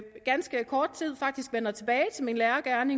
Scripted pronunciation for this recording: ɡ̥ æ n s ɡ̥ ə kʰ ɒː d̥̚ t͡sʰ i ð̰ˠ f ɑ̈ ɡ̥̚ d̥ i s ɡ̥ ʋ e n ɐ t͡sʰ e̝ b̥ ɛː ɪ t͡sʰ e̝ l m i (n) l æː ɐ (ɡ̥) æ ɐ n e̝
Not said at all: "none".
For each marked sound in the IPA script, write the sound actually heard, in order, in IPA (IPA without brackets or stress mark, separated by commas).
n, ɡ̥